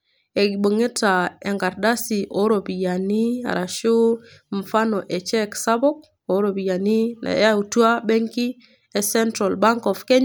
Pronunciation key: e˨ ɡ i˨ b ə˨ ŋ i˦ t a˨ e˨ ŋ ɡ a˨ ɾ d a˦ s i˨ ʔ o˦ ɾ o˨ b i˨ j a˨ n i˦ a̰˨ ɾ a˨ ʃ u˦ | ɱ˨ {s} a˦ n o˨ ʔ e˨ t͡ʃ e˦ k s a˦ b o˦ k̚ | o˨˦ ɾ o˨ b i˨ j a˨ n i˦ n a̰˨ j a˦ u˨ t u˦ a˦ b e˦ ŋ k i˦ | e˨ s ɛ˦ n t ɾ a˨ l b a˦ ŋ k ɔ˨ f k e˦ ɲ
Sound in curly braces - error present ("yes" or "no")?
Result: yes